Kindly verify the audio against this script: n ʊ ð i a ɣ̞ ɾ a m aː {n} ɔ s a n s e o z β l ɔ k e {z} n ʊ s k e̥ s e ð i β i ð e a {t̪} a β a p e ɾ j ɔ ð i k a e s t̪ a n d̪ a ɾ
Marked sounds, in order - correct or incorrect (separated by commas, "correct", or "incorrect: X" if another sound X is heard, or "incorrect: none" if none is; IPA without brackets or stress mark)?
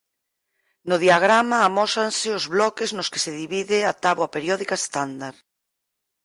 incorrect: m, correct, correct